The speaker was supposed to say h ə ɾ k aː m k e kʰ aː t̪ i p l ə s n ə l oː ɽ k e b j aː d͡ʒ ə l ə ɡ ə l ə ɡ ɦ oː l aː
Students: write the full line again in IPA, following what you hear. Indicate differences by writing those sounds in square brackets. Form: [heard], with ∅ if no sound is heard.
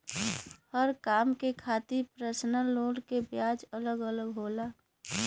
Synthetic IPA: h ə ɾ k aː m k e kʰ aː t̪ i p [ɾ] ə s n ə l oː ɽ k e b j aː d͡ʒ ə l ə ɡ ə l ə ɡ ɦ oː l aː